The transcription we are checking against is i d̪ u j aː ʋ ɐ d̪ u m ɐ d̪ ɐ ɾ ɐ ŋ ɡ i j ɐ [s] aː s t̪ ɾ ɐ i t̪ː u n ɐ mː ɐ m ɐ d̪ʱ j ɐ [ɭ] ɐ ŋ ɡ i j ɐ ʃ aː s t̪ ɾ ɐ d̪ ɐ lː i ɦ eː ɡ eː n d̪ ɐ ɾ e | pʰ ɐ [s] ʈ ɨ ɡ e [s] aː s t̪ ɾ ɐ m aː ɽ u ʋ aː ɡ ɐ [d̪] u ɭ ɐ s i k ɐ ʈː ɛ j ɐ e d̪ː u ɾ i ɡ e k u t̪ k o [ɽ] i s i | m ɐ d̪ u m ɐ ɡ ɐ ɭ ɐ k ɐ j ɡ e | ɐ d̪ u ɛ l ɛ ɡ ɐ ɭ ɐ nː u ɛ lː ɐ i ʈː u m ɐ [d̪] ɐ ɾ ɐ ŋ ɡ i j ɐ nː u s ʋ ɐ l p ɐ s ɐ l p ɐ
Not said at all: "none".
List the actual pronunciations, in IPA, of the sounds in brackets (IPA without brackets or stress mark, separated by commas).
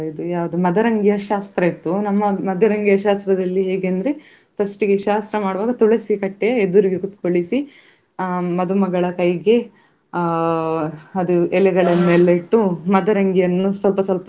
ʃ, ɾ, s, ʃ, t̪, ɭ, d̪